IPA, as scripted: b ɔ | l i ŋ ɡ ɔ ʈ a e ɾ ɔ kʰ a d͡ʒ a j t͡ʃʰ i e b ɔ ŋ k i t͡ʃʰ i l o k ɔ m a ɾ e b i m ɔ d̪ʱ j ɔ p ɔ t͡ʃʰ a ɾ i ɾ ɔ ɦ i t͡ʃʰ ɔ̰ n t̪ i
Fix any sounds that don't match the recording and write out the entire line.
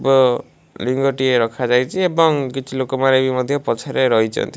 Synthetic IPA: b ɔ | l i ŋ ɡ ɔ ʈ i e ɾ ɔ kʰ a d͡ʒ a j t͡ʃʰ i e b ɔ ŋ k i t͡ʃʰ i l o k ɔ m a ɾ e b i m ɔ d̪ʱ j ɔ p ɔ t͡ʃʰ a ɾ e ɾ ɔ ɦ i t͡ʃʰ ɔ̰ n t̪ i